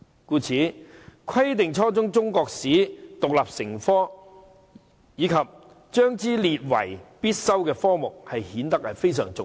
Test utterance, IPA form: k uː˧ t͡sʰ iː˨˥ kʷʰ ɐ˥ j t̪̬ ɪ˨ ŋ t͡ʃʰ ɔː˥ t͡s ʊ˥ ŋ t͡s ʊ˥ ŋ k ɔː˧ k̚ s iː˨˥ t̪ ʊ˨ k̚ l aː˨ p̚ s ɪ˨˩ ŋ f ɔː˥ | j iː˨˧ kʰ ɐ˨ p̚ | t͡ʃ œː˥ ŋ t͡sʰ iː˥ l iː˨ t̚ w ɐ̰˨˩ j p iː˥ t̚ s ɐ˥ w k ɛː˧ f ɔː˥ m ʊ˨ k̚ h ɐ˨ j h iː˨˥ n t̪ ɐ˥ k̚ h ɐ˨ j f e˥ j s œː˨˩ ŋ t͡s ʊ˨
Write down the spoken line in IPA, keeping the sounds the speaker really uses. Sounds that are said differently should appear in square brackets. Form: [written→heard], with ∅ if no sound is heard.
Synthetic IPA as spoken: k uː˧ t͡sʰ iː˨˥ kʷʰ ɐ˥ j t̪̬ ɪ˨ ŋ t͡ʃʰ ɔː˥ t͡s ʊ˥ ŋ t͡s ʊ˥ ŋ k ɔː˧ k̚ s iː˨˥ t̪ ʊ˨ k̚ l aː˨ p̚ s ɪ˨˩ ŋ f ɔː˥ | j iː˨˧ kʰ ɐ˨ p̚ | t͡ʃ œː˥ ŋ [t͡sʰ→t͡s] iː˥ l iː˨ t̚ w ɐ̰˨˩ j p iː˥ t̚ s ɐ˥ w k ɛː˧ f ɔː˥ m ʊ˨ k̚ h ɐ˨ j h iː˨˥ n t̪ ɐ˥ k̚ h ɐ˨ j f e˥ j s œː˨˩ ŋ t͡s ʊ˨